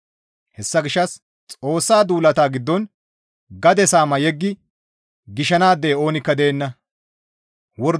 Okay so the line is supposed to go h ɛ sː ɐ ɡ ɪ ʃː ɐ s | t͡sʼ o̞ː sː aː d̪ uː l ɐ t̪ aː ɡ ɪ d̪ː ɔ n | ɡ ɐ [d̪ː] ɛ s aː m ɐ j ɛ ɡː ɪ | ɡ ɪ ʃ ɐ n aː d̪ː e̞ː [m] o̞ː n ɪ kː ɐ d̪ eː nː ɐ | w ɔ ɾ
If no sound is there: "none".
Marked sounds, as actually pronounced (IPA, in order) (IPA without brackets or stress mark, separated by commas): d̪, none